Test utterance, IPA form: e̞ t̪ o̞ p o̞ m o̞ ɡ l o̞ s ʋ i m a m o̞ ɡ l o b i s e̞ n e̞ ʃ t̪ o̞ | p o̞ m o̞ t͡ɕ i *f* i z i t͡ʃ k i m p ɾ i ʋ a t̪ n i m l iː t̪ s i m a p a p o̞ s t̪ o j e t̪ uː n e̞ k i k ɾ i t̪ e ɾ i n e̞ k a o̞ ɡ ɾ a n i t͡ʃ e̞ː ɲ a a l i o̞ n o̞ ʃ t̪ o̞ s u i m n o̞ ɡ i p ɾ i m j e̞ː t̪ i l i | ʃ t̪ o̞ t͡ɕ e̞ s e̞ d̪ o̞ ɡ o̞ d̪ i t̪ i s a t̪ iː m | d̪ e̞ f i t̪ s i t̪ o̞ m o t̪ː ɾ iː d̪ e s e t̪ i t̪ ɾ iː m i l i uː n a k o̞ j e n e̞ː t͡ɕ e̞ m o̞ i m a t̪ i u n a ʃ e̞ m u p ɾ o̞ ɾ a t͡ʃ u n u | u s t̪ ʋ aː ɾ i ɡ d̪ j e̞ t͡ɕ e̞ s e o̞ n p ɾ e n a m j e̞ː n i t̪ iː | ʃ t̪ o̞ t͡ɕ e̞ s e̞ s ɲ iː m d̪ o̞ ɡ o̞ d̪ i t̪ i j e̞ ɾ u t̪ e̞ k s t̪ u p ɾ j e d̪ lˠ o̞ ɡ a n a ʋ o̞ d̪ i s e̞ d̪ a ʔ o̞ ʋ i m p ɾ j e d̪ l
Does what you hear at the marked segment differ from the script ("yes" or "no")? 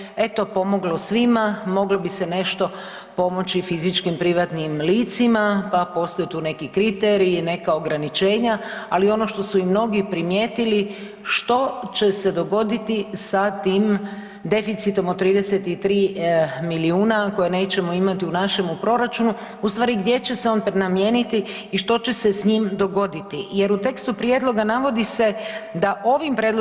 no